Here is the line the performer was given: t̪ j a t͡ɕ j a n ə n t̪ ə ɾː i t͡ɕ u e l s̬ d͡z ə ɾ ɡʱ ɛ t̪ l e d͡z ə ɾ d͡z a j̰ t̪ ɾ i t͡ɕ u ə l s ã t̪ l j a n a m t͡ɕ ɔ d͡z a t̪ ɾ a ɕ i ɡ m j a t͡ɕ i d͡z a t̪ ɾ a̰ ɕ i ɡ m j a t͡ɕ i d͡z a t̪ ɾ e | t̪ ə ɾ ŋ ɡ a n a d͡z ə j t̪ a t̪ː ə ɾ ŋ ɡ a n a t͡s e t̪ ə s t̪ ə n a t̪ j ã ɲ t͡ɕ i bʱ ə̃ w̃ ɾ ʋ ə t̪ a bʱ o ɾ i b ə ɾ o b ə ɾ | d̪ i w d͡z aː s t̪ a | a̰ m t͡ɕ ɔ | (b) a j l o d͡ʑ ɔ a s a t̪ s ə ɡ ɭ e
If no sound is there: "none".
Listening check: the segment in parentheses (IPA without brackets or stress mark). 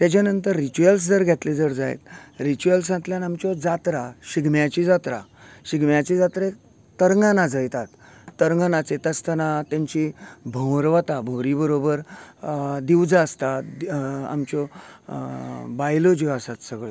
b